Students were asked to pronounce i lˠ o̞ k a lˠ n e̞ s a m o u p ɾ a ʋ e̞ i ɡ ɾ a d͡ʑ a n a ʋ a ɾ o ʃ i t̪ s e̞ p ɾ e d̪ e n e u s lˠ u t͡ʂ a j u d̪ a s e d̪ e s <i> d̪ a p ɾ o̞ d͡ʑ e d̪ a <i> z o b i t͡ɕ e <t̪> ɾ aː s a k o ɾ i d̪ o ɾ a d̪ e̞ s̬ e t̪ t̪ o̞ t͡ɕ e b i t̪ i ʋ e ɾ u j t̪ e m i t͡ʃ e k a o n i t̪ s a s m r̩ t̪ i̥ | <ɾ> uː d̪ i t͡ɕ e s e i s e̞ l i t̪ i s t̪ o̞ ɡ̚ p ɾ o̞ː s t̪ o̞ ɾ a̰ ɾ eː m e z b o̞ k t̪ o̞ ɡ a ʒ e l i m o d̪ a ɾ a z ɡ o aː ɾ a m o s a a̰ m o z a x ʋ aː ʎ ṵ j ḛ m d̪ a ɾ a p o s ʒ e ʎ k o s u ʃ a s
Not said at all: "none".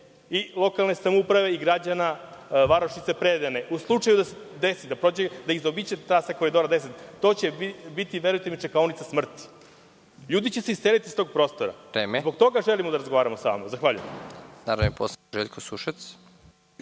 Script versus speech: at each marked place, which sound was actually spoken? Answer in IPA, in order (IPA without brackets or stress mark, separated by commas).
i, i, t̪, ʎ